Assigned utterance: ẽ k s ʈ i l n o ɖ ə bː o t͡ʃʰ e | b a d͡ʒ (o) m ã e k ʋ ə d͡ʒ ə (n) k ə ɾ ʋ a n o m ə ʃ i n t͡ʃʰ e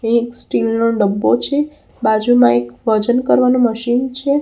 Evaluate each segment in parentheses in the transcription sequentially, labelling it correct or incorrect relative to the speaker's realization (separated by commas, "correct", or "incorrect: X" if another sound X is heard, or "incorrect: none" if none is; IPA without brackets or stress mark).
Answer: incorrect: u, correct